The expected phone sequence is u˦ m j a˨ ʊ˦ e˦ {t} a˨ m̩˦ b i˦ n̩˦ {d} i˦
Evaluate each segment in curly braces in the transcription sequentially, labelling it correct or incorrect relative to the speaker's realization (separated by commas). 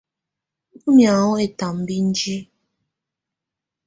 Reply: correct, incorrect